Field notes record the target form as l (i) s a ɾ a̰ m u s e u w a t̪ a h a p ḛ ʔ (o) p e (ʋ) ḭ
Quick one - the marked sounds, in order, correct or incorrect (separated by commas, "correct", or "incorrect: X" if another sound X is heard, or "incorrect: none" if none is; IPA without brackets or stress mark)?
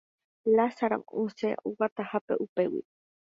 incorrect: a, incorrect: u, incorrect: w